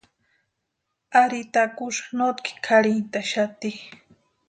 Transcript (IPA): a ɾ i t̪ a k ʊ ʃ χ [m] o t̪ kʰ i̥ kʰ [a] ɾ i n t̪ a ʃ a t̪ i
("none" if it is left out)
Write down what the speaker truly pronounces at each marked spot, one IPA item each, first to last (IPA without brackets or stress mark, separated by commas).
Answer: n, a